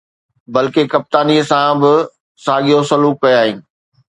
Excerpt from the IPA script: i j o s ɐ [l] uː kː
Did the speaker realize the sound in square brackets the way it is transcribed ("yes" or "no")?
yes